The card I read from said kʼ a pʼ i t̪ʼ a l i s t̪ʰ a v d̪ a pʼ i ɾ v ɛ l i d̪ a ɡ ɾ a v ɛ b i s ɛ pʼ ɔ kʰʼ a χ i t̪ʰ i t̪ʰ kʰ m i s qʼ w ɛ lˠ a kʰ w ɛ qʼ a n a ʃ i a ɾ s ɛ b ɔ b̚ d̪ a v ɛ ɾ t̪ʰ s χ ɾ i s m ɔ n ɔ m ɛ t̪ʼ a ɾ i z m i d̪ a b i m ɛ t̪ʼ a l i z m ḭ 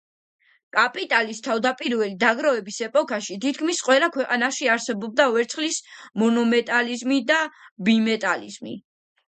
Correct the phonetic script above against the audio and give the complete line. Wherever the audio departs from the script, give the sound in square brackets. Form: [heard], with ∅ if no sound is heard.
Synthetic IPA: kʼ a pʼ i t̪ʼ a l i s t̪ʰ a v d̪ a pʼ i ɾ v ɛ l i d̪ a ɡ ɾ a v ɛ b i s ɛ pʼ ɔ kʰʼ a [ʃ] i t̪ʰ i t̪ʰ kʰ m i s qʼ w ɛ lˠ a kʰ w ɛ qʼ a n a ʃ i a ɾ s ɛ b ɔ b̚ d̪ a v ɛ ɾ [t̪] s χ [l] i s m ɔ n ɔ m ɛ t̪ʼ a [l] i z m i d̪ a b i m ɛ t̪ʼ a l i z m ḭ